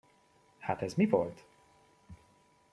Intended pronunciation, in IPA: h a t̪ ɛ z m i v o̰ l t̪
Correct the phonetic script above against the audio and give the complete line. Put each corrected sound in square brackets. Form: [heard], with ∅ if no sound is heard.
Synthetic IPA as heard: h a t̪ ɛ z m i v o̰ l t̪